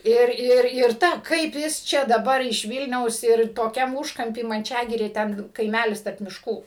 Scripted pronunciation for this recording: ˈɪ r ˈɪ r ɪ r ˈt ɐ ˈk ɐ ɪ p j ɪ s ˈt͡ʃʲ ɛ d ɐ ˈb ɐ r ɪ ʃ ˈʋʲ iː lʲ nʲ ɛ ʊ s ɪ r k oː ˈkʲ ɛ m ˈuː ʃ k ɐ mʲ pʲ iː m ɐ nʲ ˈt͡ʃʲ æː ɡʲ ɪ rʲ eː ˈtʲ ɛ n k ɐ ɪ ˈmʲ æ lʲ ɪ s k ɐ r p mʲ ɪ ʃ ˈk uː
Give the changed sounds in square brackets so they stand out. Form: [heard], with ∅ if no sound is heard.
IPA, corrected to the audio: ˈɪ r ˈɪ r ɪ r ˈt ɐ ˈk ɐ ɪ p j ɪ s ˈt͡ʃʲ ɛ d ɐ ˈb ɐ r ɪ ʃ ˈʋʲ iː lʲ nʲ ɛ ʊ s ɪ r [t] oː ˈkʲ ɛ m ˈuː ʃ k ɐ mʲ pʲ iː m ɐ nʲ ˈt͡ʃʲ æː ɡʲ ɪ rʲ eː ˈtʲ ɛ n k ɐ ɪ ˈmʲ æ lʲ ɪ s [t] ɐ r p mʲ ɪ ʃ ˈk uː